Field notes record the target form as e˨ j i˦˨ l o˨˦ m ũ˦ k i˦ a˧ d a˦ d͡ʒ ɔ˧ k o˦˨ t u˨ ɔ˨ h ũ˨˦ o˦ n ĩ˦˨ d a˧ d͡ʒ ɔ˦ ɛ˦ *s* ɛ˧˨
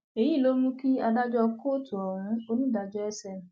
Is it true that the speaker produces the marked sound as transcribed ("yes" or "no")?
yes